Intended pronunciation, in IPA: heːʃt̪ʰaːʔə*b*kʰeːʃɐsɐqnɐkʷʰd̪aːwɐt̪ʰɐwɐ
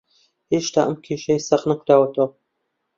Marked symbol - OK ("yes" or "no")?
no